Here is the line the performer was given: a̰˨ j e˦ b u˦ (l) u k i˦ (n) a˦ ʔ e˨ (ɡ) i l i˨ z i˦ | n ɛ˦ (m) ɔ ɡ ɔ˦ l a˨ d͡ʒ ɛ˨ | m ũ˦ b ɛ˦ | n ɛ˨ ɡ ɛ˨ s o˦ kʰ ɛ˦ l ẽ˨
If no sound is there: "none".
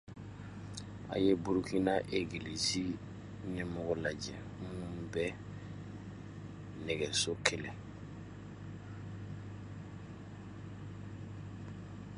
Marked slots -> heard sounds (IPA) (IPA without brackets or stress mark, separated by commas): ɾ, n, ɡ, m